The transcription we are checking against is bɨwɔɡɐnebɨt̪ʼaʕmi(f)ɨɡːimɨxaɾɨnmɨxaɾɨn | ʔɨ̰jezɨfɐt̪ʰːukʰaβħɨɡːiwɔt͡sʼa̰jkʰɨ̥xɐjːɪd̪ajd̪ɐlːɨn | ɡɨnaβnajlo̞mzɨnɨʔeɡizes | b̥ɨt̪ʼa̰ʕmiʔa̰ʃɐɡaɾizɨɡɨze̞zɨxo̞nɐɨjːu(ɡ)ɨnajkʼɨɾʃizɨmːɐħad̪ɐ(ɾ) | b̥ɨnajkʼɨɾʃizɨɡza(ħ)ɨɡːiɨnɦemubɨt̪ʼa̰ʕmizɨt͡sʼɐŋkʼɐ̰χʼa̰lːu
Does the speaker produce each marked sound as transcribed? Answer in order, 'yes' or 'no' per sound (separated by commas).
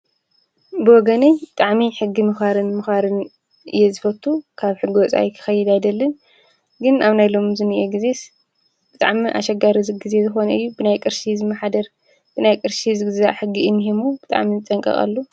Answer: no, no, yes, yes